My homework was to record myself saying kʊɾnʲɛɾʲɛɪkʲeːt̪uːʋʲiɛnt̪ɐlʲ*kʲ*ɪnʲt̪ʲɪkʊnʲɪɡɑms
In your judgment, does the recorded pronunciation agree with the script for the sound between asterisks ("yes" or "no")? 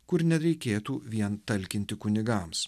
yes